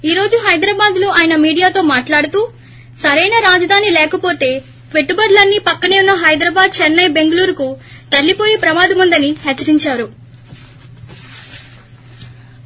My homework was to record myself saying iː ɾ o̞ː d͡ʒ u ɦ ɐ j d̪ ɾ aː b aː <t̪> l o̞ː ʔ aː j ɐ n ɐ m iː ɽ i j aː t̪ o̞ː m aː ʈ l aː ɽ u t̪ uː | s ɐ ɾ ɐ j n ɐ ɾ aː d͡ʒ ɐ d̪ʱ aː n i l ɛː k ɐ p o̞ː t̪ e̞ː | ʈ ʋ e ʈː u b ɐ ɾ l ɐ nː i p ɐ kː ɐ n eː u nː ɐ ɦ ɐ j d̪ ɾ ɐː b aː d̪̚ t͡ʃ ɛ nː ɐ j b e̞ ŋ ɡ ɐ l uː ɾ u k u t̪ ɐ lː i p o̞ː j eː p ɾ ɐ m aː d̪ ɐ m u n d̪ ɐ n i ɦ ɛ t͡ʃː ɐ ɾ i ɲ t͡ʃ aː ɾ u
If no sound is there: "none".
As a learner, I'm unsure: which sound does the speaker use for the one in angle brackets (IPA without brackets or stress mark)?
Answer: d̪